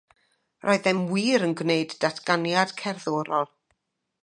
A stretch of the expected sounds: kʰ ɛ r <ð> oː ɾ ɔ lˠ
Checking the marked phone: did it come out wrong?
no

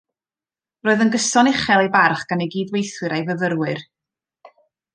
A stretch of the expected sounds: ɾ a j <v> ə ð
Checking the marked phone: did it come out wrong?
no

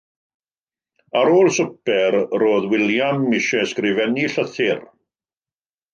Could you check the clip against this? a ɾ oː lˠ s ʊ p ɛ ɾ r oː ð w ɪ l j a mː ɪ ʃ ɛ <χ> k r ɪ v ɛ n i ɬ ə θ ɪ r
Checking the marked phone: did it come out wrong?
yes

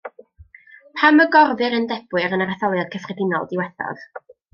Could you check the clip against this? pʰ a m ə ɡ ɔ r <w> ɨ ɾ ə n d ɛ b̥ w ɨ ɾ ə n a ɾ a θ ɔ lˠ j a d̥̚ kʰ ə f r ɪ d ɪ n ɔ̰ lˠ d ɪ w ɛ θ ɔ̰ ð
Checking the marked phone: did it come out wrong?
yes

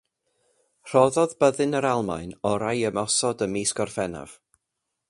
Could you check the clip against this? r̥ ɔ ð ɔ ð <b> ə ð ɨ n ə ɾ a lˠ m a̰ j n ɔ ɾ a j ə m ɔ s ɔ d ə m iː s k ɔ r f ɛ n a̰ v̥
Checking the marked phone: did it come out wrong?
no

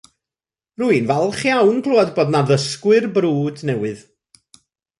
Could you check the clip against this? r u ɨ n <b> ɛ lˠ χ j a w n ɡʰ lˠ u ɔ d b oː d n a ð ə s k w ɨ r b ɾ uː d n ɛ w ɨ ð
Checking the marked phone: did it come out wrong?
yes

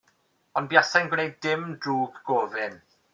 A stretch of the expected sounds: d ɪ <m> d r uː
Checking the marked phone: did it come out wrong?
no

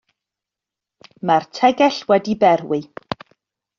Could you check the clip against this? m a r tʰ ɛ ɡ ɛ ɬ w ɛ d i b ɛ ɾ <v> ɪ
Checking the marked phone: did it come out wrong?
yes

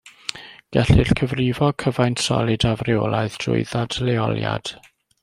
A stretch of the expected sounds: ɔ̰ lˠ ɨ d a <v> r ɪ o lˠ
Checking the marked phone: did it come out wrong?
no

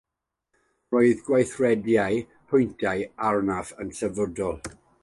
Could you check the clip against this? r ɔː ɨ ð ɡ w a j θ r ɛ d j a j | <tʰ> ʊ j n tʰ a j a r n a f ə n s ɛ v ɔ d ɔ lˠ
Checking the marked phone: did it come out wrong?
yes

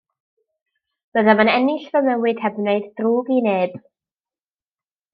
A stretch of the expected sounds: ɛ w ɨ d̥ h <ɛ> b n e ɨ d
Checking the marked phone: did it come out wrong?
no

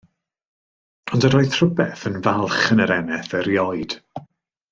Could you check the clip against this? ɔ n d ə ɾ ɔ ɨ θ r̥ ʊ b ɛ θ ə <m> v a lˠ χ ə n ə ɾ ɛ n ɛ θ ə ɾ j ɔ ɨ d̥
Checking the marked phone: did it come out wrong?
yes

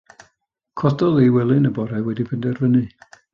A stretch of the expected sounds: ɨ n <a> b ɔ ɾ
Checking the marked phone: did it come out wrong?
yes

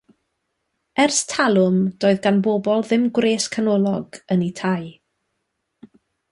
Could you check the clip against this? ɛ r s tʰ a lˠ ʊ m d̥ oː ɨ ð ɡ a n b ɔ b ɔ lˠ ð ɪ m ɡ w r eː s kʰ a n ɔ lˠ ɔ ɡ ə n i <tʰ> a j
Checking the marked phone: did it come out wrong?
no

